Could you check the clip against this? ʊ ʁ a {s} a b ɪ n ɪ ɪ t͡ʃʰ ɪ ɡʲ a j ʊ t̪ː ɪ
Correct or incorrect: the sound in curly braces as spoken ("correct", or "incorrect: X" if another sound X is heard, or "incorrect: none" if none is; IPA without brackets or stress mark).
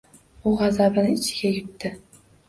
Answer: incorrect: z